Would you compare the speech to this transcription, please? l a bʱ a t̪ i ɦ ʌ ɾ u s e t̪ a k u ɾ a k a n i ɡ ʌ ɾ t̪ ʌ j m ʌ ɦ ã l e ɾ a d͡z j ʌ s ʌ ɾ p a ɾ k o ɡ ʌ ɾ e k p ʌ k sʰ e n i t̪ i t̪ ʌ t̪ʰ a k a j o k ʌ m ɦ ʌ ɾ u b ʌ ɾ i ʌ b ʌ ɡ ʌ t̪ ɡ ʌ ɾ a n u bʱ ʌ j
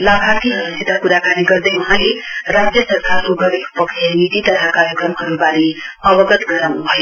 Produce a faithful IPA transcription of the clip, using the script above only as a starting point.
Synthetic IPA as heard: l a bʱ a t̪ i ɦ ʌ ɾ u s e t̪ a k u ɾ a k a n i ɡ ʌ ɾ d̪ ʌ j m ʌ ɦ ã l e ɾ a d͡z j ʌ s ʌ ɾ k a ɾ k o ɡ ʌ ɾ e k p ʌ k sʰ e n i t̪ i t̪ ʌ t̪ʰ a k a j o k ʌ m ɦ ʌ ɾ u b a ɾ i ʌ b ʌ ɡ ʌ t̪ ɡ ʌ ɾ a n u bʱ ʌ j

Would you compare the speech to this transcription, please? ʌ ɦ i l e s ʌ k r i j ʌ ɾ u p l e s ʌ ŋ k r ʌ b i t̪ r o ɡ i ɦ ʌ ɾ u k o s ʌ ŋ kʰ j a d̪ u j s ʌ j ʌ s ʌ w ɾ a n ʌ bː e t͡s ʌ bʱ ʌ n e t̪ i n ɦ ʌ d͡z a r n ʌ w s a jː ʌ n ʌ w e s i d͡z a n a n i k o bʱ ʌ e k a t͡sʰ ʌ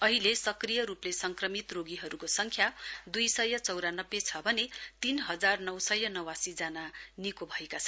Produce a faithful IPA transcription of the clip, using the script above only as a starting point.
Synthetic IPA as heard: ʌ ɦ i l e s ʌ k r i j ʌ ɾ u p l e s ʌ ŋ k r ʌ m i t̪ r o ɡ i ɦ ʌ ɾ u k o s ʌ ŋ kʰ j a d̪ u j s ʌ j ʌ t͡s ʌ w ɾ a n ʌ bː e t͡sʰ ʌ bʱ ʌ n e t̪ i n ɦ ʌ d͡z a r n ʌ w s ʌ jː ʌ n ʌ w a s i d͡z a n a n i k o bʱ ʌ e k a t͡sʰ ʌ

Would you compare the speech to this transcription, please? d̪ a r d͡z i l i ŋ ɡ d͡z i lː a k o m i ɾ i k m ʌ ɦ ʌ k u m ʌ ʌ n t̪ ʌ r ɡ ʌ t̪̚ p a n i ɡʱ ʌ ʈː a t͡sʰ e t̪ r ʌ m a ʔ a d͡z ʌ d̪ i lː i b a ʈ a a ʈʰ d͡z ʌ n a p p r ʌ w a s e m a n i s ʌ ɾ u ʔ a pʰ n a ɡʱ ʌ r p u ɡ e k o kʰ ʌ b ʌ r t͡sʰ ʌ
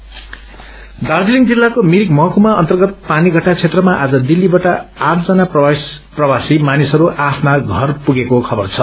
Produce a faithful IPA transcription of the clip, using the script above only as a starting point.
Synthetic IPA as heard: d̪ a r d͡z i l i ŋ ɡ d͡z i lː a k o m i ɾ i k m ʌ ɦ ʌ k u m a ʌ n t̪ ʌ r ɡ ʌ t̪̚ p a n i ɡʱ ʌ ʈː a t͡sʰ e t̪ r ʌ m a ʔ a d͡z ʌ d̪ i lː i b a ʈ a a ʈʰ d͡z ʌ n a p p r ʌ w a s i m a n i s ʌ ɾ u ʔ a pʰ n a ɡʱ ʌ r p u ɡ e k o kʰ ʌ b ʌ r t͡sʰ ʌ

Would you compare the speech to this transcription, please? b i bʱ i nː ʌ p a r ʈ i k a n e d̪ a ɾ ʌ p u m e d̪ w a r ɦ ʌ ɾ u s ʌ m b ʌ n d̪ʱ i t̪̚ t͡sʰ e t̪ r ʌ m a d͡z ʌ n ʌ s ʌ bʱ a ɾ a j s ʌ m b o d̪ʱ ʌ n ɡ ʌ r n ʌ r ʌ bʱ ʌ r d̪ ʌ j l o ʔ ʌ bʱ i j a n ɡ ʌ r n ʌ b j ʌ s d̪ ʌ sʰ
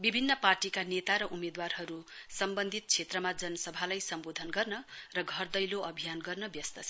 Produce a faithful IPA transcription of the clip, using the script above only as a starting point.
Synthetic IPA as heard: b i bʱ i nː ʌ p a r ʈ i k a n e t̪ a ɾ ʌ ʔ u m e d̪ w a r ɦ ʌ ɾ u s ʌ m b ʌ n d̪ʱ i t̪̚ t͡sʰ e t̪ r ʌ m a d͡z ʌ n ʌ s ʌ bʱ a l a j s ʌ m b o d̪ʱ ʌ n ɡ ʌ r n ʌ r ʌ ɡʱ ʌ r d̪ ʌ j l o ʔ ʌ bʱ i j a n ɡ ʌ r n ʌ b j ʌ s t̪ ʌ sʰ

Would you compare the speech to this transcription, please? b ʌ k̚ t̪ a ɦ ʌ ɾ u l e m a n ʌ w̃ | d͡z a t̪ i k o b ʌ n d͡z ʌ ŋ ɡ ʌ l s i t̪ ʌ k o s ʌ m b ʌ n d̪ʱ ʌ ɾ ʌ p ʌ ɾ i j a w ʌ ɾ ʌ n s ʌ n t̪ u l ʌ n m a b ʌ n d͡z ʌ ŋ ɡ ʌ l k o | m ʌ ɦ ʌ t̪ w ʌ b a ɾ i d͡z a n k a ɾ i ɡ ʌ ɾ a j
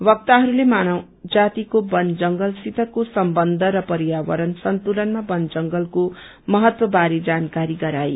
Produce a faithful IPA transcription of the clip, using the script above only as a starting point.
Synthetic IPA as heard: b ʌ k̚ t̪ a ɦ ʌ ɾ u l e m a n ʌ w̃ | d͡z a t̪ i k o b ʌ n d͡z ʌ ŋ ɡ ʌ l s i t̪ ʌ k o s ʌ m b ʌ n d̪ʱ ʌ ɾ ʌ p ʌ ɾ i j a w ʌ ɾ ʌ n s ʌ n t̪ u l ʌ n m a b ʌ n d͡z ʌ ŋ ɡ ʌ l k o | m ʌ ɦ ʌ t̪ w ʌ b a ɾ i d͡z a n k a ɾ i ɡ ʌ ɾ a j

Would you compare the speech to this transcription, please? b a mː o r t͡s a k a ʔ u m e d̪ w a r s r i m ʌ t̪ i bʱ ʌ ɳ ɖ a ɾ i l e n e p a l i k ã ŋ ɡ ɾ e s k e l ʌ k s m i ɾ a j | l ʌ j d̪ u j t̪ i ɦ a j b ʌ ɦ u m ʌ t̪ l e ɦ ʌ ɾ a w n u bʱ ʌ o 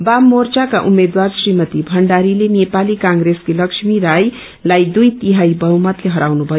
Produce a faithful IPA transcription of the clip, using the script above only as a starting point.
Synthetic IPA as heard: b a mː o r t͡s a k a ʔ u m e d̪ w a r s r i m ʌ t̪ i bʱ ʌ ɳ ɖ a ɾ i l e n e p a l i k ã ŋ ɡ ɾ e s k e l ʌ k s m i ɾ a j | l a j d̪ u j t̪ i ɦ a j b ʌ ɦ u m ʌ t̪ l e ɦ ʌ ɾ a w n u bʱ ʌ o

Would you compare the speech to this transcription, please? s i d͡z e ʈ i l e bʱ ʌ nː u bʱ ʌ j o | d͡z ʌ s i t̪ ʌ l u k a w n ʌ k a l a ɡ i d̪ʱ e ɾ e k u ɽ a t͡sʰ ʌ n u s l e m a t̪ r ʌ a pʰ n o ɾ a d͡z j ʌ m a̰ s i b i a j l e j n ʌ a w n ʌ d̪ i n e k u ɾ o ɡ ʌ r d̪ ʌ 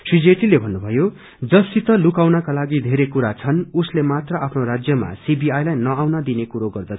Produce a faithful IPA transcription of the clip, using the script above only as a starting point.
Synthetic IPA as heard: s i d͡z e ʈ i l e bʱ ʌ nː u bʱ ʌ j o | d͡z ʌ s i t̪ ʌ l u k a w n ʌ k a l a ɡ i d̪ʱ e ɾ e k u ɾ a t͡sʰ ʌ n u s l e m a t̪ r ʌ a pʰ n o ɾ a d͡z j ʌ m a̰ s i b i a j l a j n ʌ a w n ʌ d̪ i n e k u ɾ o ɡ ʌ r d̪ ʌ

